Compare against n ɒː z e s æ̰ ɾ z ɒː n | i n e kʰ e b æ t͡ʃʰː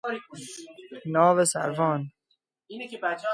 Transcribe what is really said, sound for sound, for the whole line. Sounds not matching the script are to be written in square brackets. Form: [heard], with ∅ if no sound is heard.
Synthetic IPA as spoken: n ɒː [v] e s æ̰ ɾ [v] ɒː n | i n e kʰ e b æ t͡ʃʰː